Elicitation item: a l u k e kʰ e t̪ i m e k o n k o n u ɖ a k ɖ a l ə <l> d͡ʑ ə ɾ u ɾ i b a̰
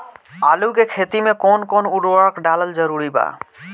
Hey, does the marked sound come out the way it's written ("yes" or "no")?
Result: yes